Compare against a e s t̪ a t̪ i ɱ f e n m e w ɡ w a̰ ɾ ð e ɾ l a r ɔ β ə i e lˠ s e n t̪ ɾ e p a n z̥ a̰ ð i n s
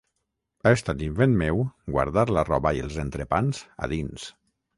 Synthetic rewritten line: a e s t̪ a t̪ i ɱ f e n m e w ɡ w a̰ ɾ ð a ɾ l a r ɔ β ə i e lˠ z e n t̪ ɾ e p a n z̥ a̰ ð i n s